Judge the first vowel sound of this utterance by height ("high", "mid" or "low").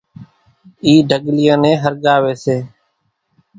high